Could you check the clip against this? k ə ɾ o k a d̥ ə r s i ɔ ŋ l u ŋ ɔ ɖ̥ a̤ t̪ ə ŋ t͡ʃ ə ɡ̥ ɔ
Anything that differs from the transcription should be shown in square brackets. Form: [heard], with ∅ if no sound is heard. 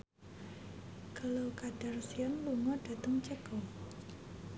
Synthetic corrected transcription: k ə [l] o k a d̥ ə r s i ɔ [n] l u ŋ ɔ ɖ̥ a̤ t̪ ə ŋ t͡ʃ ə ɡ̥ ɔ

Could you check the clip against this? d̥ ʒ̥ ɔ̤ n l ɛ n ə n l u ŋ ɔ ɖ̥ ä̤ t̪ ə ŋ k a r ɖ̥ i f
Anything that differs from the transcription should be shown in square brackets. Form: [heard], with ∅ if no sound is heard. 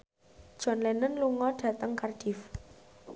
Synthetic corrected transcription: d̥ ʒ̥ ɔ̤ n l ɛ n ə n l u ŋ ɔ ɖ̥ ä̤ t̪ ə ŋ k a r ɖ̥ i f

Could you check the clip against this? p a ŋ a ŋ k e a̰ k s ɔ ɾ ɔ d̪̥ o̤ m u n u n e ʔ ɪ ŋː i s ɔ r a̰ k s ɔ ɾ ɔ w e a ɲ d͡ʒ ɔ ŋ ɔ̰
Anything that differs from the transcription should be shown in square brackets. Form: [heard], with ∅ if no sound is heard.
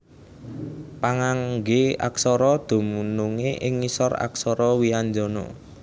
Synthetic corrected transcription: p a ŋ a ŋ [ɡ] e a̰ k s ɔ ɾ ɔ d̪̥ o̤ m u n u [ŋ] e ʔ ɪ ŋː i s ɔ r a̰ k s ɔ ɾ ɔ w [i] a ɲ d͡ʒ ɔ [n] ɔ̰

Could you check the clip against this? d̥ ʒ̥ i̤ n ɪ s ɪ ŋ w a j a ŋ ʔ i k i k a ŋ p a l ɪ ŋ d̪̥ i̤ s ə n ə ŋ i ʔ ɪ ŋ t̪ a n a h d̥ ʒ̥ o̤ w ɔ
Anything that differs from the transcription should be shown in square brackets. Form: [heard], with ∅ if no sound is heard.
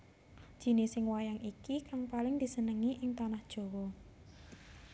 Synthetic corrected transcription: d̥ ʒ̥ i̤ n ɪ s ɪ ŋ w a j a ŋ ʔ i k i k a ŋ p a l ɪ ŋ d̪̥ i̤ s ə n ə ŋ i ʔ ɪ ŋ t̪ a n a h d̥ ʒ̥ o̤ w ɔ

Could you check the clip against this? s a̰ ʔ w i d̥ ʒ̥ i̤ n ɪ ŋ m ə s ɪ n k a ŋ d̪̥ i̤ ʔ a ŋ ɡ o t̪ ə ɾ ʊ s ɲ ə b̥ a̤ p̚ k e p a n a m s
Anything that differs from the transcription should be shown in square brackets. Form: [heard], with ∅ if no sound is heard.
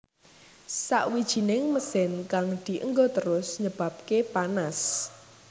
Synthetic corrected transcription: s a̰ ʔ w i d̥ ʒ̥ i̤ n ɪ ŋ m ə s ɪ n k a ŋ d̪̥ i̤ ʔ [ə] ŋ ɡ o t̪ ə ɾ ʊ s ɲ ə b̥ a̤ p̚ k e p a n a [∅] s

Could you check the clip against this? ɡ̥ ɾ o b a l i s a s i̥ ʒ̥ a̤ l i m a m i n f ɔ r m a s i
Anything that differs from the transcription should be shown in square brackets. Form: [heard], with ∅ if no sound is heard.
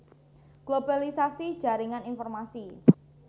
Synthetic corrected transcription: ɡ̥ [l] o b a l i s a s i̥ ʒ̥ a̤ [ɾ] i [ŋ] a [n] i n f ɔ r m a s i

